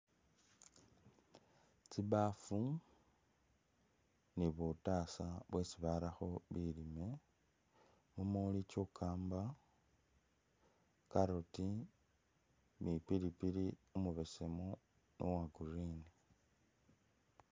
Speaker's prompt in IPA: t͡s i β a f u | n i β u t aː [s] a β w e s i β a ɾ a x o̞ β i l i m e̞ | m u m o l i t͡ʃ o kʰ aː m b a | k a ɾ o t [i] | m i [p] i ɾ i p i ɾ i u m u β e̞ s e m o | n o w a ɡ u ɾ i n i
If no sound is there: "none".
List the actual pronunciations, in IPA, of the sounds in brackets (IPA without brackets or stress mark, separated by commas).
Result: s, i, p